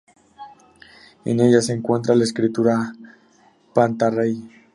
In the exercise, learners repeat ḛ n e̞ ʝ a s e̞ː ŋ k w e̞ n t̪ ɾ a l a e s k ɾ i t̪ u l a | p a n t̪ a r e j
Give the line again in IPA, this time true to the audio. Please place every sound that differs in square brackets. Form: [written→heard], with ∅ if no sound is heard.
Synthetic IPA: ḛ n e̞ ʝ a s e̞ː ŋ k w e̞ n t̪ ɾ a l a e s k ɾ i t̪ u [l→ɾ] a | p a n t̪ a r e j